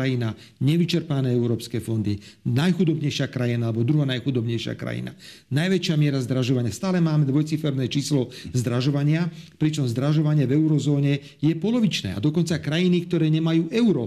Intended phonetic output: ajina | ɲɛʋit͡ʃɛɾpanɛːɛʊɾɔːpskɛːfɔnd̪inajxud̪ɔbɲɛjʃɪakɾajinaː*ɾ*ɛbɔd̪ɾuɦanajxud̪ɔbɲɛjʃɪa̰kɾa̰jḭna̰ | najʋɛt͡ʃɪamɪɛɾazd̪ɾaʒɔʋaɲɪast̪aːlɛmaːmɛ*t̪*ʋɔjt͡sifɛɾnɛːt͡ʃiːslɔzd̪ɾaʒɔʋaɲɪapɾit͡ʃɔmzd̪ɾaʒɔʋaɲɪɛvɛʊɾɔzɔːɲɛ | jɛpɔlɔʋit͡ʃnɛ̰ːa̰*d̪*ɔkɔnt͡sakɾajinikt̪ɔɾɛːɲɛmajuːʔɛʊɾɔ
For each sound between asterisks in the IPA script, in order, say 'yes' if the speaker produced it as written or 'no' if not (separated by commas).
no, no, yes